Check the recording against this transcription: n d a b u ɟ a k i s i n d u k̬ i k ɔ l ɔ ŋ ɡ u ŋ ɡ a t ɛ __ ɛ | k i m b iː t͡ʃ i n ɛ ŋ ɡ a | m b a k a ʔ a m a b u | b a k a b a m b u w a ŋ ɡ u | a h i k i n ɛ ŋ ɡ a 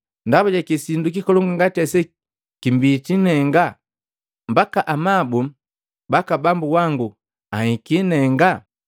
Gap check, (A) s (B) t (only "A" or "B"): A